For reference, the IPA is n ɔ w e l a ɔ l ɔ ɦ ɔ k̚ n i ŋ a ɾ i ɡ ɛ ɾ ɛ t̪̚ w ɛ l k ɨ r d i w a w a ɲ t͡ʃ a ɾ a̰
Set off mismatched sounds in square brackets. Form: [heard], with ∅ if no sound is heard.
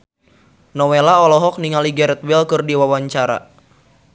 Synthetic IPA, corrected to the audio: n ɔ w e l a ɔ l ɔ ɦ ɔ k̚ n i ŋ a [l] i ɡ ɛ ɾ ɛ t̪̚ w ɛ l k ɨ r d i w a w a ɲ t͡ʃ a ɾ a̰